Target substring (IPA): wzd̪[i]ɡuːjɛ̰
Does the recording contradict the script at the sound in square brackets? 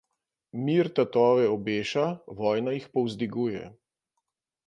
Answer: no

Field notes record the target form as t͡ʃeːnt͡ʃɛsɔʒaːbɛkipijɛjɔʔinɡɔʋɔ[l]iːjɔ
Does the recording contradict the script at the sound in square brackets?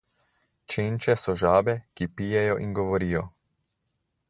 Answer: yes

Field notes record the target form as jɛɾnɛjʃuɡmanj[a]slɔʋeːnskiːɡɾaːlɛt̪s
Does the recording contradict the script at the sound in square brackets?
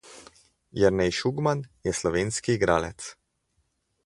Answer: yes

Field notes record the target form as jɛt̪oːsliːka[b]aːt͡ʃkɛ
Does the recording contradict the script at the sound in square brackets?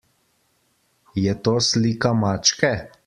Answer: yes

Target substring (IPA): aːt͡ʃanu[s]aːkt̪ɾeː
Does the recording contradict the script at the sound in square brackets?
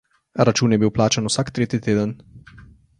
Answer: no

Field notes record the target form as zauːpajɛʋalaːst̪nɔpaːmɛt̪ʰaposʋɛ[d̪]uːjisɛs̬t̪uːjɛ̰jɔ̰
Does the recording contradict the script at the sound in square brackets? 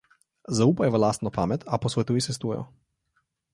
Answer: yes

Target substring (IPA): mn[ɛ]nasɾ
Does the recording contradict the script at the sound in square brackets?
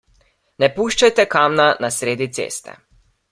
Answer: yes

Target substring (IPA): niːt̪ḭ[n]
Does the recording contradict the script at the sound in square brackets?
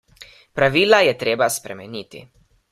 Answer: yes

